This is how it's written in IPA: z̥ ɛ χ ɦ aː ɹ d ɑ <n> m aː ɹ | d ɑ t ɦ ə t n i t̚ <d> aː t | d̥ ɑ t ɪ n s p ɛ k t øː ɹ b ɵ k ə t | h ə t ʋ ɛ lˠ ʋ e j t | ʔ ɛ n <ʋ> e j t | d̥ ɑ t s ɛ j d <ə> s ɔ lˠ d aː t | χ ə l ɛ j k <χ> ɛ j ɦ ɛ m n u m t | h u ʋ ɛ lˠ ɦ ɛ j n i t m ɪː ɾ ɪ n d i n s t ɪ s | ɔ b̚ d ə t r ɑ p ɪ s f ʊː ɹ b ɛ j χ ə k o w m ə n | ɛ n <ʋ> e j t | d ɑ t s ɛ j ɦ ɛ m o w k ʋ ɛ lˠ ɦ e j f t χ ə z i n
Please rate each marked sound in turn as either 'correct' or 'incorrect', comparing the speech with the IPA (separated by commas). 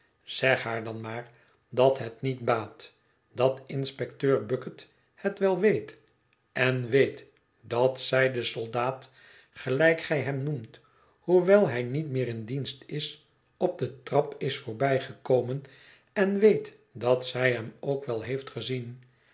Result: correct, incorrect, correct, correct, correct, correct